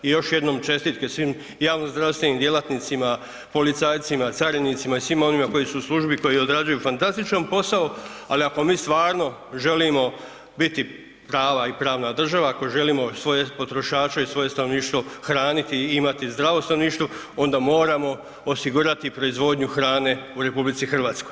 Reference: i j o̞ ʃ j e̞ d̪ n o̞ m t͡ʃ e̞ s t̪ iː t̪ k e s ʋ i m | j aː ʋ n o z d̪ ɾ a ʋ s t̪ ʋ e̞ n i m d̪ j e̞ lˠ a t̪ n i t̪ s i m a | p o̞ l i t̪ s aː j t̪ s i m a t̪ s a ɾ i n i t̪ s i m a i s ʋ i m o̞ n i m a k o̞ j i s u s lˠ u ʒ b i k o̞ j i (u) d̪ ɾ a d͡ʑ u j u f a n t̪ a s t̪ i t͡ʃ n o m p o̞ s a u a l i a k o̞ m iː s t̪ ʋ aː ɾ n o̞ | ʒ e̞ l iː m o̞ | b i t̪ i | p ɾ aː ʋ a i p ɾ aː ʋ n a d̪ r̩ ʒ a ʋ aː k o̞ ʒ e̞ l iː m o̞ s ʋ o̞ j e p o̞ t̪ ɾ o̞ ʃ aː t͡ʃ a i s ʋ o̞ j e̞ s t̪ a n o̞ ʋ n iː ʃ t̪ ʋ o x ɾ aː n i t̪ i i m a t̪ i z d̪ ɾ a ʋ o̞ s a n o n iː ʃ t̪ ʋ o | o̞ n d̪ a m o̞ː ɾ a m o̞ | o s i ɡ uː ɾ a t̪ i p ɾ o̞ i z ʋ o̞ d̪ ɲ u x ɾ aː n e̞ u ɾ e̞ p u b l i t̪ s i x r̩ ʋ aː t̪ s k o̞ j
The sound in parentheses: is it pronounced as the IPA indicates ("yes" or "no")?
no